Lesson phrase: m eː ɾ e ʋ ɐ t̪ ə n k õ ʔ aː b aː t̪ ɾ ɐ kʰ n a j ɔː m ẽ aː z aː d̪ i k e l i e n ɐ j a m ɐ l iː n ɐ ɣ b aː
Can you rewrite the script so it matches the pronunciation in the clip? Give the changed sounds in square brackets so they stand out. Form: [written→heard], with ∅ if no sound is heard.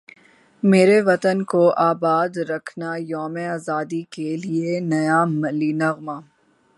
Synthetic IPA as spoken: m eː ɾ e ʋ ɐ t̪ ə n k [õ→o] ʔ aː b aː [t̪→d̪] ɾ ɐ kʰ n a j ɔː m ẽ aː z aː d̪ i k e l i e n ɐ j a m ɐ l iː n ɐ ɣ [b→m] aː